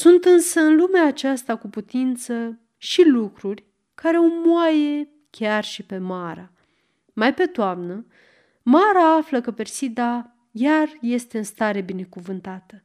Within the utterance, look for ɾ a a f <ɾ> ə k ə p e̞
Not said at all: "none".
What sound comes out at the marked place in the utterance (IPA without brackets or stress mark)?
l